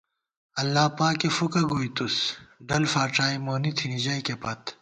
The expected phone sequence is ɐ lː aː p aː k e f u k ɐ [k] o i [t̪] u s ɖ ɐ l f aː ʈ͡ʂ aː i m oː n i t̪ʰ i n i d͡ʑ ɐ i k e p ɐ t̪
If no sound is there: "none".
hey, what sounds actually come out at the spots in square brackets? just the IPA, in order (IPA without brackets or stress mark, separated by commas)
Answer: ɡ, t̪